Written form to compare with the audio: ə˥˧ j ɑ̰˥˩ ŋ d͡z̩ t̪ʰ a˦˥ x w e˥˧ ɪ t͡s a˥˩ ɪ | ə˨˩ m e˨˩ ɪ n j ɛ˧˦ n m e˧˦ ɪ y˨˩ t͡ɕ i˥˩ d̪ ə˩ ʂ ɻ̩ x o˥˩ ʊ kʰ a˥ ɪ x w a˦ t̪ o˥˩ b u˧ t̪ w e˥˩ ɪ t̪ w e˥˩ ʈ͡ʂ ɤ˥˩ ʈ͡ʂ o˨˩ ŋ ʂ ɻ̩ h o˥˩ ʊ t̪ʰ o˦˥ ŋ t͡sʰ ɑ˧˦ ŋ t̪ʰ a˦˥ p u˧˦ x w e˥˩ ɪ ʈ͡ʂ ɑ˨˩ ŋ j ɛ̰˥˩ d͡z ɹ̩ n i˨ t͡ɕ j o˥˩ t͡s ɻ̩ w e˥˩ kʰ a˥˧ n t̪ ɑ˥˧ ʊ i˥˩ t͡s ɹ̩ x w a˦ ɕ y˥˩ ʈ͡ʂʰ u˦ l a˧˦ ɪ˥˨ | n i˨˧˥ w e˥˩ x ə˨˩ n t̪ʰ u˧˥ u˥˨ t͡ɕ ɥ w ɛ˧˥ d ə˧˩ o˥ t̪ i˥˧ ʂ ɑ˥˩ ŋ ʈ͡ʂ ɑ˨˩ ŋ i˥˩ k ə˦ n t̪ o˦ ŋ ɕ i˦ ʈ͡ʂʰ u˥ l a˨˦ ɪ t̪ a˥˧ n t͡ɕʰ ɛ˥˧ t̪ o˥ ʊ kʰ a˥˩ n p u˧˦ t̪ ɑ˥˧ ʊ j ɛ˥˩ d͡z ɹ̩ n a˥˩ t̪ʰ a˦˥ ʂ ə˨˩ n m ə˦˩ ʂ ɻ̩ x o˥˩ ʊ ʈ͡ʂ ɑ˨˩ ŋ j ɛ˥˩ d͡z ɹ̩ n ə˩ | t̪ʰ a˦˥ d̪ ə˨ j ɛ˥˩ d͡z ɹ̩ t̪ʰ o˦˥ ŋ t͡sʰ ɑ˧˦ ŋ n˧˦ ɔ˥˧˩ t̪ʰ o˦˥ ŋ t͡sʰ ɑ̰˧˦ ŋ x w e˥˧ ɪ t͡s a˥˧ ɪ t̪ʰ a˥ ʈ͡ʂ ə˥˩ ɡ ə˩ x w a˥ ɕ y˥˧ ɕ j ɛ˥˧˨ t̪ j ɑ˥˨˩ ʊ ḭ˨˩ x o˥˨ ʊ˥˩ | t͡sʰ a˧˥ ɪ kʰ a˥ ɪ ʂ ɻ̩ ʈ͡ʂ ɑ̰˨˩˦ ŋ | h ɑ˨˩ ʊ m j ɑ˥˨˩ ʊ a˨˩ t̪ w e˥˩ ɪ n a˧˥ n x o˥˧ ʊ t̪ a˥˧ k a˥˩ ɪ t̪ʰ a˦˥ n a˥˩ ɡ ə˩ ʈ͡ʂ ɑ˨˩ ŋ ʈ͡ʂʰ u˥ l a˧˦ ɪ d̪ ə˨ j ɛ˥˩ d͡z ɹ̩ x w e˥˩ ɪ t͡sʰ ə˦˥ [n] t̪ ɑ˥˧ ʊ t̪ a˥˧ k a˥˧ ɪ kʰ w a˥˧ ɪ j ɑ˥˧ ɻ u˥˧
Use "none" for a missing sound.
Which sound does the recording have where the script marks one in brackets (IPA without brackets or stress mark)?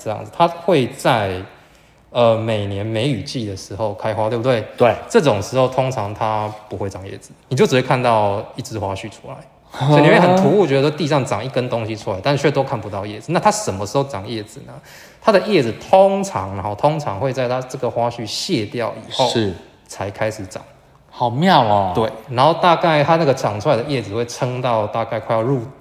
ŋ